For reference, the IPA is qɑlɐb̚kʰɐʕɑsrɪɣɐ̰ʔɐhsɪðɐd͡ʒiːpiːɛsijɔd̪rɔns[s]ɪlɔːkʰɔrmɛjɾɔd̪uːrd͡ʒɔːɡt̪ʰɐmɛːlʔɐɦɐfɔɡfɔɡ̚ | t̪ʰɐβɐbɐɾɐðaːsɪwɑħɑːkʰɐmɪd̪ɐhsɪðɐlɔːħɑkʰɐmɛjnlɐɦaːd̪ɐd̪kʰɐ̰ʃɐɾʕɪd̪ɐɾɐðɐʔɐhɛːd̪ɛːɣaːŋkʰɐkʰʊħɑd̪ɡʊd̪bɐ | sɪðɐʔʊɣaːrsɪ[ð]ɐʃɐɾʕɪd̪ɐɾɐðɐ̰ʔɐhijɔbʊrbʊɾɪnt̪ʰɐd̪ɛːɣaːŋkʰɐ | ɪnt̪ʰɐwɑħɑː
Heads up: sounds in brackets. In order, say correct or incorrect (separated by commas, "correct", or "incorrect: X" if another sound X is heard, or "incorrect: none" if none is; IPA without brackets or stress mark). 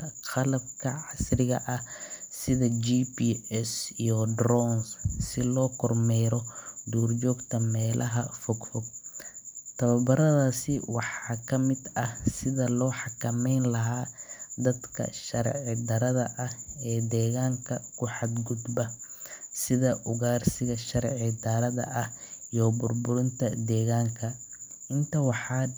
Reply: correct, incorrect: ɣ